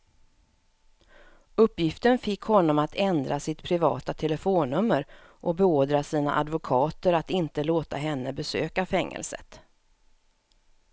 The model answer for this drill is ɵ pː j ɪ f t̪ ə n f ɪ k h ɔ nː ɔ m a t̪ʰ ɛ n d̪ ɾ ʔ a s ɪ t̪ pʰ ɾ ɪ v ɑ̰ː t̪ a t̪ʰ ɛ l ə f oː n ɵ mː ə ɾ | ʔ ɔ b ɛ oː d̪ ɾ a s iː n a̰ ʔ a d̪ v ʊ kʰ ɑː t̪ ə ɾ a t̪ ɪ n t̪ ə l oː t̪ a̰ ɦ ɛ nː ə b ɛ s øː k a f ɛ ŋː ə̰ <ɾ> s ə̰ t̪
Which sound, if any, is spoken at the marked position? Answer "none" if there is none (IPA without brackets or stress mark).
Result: l